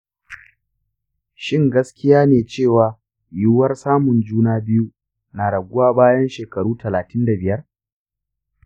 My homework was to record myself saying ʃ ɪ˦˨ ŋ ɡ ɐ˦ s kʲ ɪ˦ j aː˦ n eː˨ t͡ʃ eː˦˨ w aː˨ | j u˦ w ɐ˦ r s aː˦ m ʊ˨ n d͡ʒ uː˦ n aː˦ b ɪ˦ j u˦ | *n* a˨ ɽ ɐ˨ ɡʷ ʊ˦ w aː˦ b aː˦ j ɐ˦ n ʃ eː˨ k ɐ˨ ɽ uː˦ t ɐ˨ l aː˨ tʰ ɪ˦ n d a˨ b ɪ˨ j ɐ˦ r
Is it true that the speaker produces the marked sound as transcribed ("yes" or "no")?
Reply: yes